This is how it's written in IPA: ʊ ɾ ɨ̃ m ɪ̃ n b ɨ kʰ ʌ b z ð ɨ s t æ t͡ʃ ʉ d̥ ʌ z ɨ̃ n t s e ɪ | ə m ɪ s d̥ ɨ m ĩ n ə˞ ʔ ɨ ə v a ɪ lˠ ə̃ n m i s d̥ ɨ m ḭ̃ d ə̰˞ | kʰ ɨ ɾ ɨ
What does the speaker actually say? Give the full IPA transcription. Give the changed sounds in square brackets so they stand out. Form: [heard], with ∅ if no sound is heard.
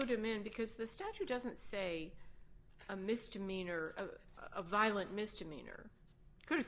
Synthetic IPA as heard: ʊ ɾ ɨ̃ m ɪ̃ n b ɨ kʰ ʌ [∅] z ð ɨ s t æ t͡ʃ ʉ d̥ ʌ z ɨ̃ n t s e ɪ | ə m ɪ s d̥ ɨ m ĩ n ə˞ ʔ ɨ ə v a ɪ lˠ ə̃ n m [ɪ] s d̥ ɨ m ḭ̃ [n] ə̰˞ | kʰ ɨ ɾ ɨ